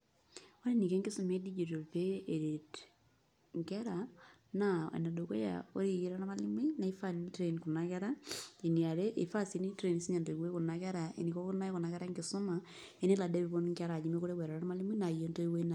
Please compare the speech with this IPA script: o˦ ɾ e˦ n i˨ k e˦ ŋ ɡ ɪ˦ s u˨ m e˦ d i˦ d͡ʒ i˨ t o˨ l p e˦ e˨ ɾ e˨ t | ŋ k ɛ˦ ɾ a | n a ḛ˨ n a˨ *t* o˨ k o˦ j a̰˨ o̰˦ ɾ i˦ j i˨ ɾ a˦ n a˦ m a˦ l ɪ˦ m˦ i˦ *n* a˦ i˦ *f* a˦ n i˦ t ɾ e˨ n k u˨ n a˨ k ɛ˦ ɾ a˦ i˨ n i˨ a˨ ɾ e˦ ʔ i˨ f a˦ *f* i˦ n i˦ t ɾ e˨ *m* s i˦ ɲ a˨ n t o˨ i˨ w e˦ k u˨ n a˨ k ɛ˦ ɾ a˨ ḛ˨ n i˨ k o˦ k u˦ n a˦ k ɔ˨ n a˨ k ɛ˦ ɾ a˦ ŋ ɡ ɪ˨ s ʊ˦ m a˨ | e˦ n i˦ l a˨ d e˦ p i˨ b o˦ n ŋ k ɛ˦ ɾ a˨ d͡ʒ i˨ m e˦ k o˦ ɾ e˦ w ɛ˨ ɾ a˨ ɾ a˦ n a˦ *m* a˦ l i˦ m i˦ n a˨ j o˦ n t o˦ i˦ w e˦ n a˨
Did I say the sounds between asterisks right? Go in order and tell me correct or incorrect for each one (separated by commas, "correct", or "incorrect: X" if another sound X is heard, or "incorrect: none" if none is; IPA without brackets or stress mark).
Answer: incorrect: d, correct, correct, incorrect: s, incorrect: n, correct